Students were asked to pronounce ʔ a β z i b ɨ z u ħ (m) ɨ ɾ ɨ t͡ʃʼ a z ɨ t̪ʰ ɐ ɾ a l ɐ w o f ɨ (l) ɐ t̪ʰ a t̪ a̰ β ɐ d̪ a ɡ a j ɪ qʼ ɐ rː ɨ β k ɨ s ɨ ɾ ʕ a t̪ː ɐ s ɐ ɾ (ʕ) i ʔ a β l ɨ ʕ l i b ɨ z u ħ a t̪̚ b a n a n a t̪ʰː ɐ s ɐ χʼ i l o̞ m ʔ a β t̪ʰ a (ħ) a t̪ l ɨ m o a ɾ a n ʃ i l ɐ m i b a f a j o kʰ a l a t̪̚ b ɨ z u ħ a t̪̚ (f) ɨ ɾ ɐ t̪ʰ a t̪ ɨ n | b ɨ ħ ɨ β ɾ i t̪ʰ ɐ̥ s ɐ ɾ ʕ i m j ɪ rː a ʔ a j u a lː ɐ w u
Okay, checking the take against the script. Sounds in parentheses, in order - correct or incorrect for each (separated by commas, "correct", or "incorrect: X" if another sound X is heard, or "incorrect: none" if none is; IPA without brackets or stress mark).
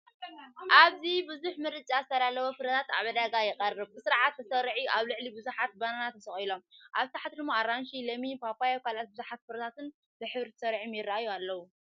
correct, incorrect: ɾ, correct, correct, correct